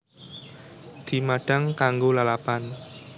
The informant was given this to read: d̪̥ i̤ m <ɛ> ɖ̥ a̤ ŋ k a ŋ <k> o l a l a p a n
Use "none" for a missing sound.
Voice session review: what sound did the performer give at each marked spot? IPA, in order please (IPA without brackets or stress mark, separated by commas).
a, ɡ